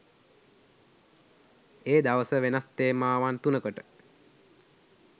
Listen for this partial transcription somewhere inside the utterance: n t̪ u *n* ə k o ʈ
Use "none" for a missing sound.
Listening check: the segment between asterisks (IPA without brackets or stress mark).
n